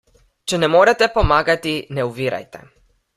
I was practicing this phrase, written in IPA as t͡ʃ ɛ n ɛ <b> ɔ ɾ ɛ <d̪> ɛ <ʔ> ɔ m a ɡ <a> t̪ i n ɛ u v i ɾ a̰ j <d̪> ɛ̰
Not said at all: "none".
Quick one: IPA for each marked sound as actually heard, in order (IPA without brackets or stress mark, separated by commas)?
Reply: m, t̪, p, a, t̪